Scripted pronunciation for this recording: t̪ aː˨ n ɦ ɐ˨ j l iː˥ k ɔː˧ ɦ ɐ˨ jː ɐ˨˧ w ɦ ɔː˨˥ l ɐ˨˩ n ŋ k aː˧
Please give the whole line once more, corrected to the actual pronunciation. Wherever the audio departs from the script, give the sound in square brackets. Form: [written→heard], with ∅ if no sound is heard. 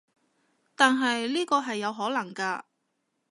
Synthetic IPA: t̪ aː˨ n ɦ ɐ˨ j l iː˥ k ɔː˧ ɦ ɐ˨ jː ɐ˨˧ w ɦ ɔː˨˥ l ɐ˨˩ [n→∅] ŋ k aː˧

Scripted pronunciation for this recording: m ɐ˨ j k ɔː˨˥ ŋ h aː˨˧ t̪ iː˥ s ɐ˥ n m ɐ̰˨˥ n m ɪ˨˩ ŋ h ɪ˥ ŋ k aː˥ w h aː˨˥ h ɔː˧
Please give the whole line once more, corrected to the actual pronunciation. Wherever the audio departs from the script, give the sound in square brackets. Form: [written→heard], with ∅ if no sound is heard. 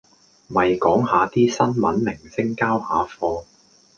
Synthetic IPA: m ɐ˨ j k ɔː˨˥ ŋ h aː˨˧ t̪ iː˥ s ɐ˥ n m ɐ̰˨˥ n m ɪ˨˩ ŋ [h→s] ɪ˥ ŋ k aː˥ w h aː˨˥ [h→f] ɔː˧

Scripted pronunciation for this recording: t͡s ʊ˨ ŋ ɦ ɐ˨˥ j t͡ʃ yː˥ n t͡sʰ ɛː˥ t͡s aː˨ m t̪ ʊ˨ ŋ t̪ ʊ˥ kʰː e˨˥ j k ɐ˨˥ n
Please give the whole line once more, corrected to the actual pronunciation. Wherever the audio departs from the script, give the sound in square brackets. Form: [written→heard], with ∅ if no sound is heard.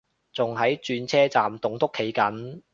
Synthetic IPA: t͡s ʊ˨ ŋ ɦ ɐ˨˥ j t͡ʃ [yː˥→yː˧] n t͡sʰ ɛː˥ t͡s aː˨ m t̪ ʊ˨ ŋ t̪ ʊ˥ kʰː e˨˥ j k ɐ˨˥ n

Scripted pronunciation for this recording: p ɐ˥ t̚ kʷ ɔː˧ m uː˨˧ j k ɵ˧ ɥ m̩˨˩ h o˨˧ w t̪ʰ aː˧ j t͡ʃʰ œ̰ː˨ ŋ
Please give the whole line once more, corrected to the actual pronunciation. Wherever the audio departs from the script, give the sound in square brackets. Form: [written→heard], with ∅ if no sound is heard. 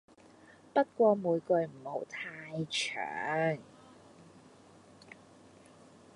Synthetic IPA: p ɐ˥ t̚ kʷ ɔː˧ m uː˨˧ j k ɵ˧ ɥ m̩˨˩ h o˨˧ w t̪ʰ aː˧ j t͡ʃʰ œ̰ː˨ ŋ

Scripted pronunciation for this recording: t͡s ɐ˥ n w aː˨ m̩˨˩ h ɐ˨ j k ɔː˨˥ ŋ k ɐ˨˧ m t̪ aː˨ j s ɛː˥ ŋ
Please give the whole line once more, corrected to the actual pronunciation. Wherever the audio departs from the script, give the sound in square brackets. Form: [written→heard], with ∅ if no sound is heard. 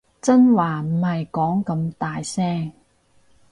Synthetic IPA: t͡s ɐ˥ n w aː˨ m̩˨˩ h ɐ˨ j k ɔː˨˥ ŋ k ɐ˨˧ m t̪ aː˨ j s ɛː˥ ŋ

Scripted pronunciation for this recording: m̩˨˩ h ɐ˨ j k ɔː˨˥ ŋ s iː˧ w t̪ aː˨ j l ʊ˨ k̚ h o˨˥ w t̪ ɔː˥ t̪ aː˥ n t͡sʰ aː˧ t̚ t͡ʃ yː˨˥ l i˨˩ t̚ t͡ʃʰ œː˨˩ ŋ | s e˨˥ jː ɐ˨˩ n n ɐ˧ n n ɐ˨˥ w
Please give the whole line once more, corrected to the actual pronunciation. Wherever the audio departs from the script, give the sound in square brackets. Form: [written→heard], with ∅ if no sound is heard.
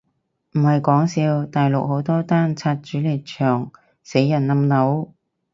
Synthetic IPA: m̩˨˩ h ɐ˨ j k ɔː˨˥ ŋ s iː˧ w t̪ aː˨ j l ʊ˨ k̚ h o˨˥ w t̪ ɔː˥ t̪ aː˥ n t͡sʰ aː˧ t̚ t͡ʃ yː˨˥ l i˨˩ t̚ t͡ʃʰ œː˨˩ ŋ | s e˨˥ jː ɐ˨˩ n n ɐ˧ [n→m] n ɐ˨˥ w

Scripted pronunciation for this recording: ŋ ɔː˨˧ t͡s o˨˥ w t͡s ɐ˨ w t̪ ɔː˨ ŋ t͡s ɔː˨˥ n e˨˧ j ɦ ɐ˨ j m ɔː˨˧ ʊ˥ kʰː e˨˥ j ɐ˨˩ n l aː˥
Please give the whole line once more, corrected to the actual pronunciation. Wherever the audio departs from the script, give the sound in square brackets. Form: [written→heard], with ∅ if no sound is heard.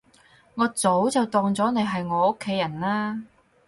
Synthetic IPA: ŋ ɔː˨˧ t͡s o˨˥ w t͡s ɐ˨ w t̪ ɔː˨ ŋ t͡s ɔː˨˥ n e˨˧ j ɦ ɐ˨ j [m→ŋ] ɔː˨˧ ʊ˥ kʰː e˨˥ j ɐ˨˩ n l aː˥

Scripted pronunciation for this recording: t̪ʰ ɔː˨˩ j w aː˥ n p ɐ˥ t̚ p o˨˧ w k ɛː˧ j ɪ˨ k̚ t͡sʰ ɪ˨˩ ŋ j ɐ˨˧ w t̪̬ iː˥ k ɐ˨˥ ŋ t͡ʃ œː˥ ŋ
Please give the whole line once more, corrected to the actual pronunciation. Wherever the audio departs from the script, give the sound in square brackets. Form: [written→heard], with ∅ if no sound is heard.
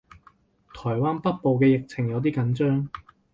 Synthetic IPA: t̪ʰ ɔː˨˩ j w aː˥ n p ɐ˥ t̚ p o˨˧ w k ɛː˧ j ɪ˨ k̚ t͡sʰ ɪ˨˩ ŋ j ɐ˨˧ w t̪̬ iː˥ k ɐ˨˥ [ŋ→n] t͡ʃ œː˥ ŋ

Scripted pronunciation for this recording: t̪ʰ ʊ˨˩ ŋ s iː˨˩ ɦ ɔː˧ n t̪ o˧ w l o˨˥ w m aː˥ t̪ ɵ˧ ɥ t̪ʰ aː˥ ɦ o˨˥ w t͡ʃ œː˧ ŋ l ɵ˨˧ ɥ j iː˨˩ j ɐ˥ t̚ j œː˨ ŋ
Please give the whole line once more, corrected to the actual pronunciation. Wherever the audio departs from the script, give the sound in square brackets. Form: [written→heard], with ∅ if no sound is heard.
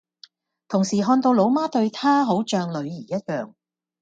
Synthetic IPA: t̪ʰ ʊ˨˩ ŋ s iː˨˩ ɦ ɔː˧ n t̪ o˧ w l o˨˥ w m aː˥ t̪ ɵ˧ ɥ t̪ʰ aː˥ ɦ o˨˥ w t͡ʃ œː˧ ŋ l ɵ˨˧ ɥ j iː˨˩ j ɐ˥ t̚ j œː˨ ŋ

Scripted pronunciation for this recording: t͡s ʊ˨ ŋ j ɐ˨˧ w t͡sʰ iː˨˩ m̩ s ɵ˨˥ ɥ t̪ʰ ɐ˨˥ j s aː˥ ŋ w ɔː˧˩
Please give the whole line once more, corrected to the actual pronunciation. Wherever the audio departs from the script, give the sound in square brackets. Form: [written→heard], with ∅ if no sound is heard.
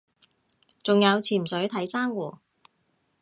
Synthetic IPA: t͡s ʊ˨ ŋ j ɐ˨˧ w t͡sʰ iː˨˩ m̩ s ɵ˨˥ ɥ t̪ʰ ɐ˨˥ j s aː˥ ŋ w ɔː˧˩

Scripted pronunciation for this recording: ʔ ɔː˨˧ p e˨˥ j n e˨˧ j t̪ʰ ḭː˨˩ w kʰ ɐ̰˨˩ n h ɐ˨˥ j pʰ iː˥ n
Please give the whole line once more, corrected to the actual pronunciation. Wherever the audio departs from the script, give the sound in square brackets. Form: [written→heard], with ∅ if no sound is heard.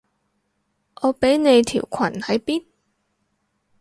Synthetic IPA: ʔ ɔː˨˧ p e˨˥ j n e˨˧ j t̪ʰ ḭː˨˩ w kʰ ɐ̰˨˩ n h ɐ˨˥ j [pʰ→p] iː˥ n

